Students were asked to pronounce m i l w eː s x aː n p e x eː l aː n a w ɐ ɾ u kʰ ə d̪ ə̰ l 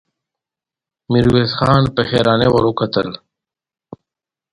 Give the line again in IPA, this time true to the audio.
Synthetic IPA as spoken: m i ɾ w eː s x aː n p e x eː ɾ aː n e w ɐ ɾ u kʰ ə t̪ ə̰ l